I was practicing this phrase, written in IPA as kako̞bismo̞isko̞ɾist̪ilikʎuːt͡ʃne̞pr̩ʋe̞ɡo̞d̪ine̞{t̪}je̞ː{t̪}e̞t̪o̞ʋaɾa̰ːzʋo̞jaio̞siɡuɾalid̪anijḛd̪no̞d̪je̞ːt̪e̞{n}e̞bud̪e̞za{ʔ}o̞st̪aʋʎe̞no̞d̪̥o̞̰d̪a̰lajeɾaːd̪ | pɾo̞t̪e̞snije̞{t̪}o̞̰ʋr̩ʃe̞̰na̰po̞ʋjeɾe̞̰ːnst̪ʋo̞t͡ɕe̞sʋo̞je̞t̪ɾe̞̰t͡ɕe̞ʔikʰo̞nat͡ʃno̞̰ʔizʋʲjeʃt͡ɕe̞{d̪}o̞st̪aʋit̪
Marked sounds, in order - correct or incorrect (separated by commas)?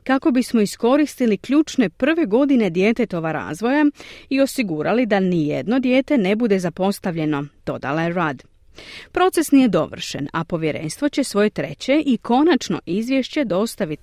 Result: incorrect, correct, correct, incorrect, incorrect, correct